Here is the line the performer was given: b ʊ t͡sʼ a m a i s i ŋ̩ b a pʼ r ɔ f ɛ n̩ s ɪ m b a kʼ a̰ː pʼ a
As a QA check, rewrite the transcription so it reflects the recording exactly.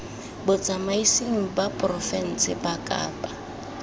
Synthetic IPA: b ʊ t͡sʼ a m a i s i ŋ̩ b a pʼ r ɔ f ɛ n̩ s ɪ b a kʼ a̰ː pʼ a

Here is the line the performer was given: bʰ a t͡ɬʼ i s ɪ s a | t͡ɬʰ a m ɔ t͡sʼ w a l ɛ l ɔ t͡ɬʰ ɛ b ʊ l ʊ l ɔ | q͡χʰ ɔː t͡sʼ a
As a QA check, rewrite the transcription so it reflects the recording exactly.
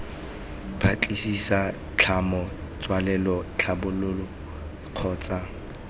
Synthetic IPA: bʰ a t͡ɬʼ i s i s a | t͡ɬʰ a m ɔ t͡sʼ w a l ɛ l ɔ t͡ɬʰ a b ʊ l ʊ l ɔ | q͡χʰ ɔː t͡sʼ a

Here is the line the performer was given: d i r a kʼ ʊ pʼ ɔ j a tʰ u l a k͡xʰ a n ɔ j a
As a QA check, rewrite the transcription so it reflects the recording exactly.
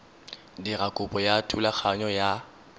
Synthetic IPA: d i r a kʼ ʊ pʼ ɔ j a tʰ u l a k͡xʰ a ɲ ɔ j a

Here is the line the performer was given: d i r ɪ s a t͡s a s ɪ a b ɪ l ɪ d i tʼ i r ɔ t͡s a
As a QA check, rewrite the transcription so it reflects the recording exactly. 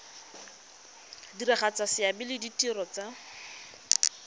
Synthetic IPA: d i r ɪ χ a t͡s a s ɪ a b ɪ l ɪ d i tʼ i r ɔ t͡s a

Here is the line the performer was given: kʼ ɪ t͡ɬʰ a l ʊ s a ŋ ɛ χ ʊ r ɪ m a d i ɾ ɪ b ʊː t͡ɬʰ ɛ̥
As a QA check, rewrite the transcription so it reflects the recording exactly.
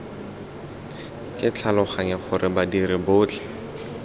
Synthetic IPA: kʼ ɪ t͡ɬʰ a l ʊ χ a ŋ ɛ χ ʊ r ɪ b a d i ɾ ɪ b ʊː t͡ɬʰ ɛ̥

